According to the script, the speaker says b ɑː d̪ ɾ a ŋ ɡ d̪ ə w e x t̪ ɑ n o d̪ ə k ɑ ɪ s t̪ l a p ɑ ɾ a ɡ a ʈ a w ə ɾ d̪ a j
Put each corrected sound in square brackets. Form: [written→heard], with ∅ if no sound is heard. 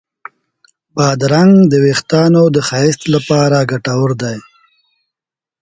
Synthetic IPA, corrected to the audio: b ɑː d̪ ɾ a ŋ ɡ d̪ ə w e x t̪ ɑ n o d̪ ə [k→x] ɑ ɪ s t̪ l a p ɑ ɾ a ɡ a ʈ a w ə ɾ d̪ a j